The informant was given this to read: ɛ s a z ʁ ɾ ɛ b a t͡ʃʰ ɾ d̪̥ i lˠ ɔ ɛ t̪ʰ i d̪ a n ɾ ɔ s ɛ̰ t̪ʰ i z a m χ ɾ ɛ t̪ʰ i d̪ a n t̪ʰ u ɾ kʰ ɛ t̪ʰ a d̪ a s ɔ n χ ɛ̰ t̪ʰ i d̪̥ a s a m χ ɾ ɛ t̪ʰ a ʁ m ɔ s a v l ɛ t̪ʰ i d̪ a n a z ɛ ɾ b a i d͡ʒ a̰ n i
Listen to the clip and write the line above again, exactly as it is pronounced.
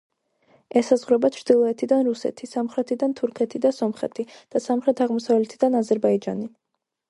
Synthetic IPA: ɛ s a z ʁ ɾ ɛ b a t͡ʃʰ ɾ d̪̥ i lˠ ɔ ɛ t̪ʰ i d̪ a n ɾ u s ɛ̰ t̪ʰ i s a m χ ɾ ɛ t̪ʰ i d̪ a n t̪ʰ u ɾ kʰ ɛ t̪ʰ i d̪ a s ɔ m χ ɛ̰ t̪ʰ i d̪̥ a s a m χ ɾ ɛ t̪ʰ a ʁ m ɔ s a v l ɛ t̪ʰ i d̪ a n a z ɛ ɾ b a i d͡ʒ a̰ n i